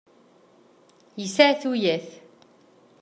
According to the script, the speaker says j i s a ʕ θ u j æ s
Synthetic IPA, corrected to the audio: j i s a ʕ θ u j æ θ